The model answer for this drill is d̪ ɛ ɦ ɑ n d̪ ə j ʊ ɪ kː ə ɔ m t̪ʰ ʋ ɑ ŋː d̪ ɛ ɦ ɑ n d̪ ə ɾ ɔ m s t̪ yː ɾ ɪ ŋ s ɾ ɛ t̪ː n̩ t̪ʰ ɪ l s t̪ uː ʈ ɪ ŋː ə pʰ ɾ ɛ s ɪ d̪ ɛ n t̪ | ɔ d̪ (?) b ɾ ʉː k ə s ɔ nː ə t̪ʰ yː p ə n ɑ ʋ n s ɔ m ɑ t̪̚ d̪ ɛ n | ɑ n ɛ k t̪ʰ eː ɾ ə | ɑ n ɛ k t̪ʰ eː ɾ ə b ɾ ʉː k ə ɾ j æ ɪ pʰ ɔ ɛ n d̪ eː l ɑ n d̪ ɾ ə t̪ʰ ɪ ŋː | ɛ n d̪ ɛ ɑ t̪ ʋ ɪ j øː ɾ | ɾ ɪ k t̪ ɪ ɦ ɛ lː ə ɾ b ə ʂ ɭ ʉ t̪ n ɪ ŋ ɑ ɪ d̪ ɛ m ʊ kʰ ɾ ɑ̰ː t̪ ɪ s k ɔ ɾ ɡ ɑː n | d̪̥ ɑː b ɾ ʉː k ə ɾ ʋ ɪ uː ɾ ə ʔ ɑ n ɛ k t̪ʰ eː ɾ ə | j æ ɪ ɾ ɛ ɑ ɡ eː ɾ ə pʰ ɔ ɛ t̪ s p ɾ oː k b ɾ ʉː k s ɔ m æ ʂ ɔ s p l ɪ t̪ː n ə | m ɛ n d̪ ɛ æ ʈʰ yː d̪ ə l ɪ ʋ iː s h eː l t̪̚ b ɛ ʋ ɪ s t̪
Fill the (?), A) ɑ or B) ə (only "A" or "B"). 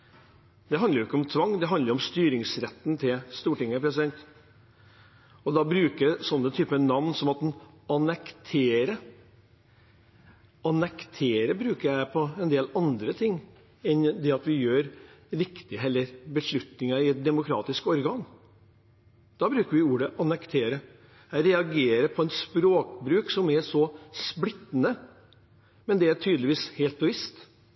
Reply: A